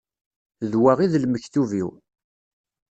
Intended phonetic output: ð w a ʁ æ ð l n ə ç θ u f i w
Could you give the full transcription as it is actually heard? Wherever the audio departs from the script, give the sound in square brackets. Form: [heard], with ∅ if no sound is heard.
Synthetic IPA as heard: ð w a ʁ [i] ð l [m] ə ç θ u [v] i w